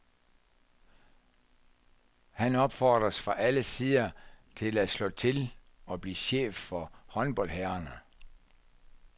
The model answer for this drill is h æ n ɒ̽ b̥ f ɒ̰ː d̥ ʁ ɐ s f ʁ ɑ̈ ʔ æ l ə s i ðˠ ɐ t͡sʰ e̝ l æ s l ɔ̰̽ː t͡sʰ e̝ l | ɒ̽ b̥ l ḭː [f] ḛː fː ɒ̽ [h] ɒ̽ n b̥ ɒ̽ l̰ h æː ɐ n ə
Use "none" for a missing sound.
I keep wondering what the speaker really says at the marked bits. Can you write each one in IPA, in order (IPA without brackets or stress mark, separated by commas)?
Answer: ɕ, h